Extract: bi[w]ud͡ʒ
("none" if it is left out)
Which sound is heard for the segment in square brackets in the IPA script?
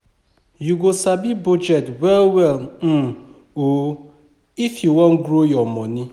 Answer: b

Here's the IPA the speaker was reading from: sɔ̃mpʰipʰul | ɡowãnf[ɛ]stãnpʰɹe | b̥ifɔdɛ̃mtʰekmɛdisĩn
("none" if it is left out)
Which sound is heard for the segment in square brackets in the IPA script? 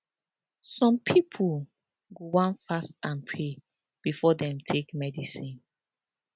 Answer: a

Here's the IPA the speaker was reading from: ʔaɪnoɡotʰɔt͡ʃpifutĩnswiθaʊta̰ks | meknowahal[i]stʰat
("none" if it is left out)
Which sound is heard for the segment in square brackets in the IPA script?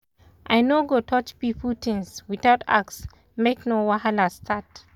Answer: a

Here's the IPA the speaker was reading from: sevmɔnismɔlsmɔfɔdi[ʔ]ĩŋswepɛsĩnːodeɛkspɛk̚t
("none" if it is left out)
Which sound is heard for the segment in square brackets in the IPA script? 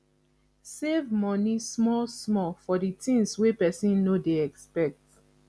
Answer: t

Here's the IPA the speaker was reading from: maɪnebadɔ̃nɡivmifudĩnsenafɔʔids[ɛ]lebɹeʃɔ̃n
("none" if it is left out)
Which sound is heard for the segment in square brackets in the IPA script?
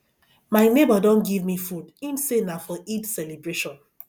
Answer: ɛ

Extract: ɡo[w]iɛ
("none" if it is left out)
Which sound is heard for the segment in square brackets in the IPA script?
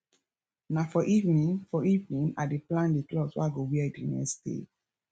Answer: w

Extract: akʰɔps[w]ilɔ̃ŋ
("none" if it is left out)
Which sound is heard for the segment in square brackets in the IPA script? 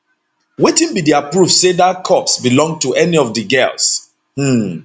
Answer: b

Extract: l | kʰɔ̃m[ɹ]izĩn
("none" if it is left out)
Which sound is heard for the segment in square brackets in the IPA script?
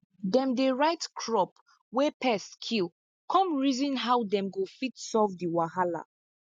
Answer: ɹ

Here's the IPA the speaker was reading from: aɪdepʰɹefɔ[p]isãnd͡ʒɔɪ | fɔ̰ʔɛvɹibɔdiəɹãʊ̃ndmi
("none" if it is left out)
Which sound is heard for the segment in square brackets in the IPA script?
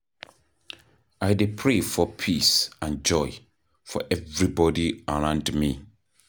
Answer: pʰ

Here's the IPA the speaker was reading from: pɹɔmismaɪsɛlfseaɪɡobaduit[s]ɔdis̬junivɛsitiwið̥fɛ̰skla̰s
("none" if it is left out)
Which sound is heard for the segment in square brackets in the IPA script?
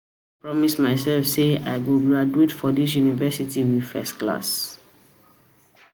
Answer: f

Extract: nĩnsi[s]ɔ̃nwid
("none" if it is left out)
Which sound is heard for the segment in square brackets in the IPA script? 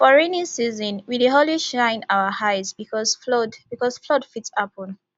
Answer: z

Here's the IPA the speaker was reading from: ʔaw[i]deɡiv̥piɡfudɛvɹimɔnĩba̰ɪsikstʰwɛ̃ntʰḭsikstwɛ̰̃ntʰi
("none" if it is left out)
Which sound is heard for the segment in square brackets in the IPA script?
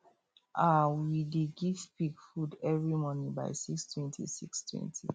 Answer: i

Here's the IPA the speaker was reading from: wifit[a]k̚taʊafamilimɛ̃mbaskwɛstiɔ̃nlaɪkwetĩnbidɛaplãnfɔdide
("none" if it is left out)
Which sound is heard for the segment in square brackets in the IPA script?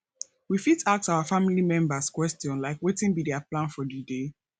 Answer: a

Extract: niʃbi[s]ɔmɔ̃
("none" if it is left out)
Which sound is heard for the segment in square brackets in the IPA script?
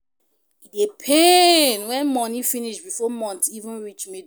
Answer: f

